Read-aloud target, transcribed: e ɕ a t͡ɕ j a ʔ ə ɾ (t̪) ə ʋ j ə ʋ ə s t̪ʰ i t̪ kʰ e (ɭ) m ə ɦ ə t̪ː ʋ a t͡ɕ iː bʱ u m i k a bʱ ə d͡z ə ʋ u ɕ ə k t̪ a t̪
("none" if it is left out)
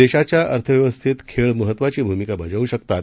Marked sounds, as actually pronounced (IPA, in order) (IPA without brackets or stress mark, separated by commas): t̪ʰ, ɭ